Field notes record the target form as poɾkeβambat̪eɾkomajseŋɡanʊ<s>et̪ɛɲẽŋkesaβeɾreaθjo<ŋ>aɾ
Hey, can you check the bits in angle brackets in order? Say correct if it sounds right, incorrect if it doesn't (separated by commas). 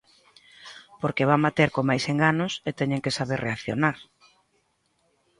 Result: correct, incorrect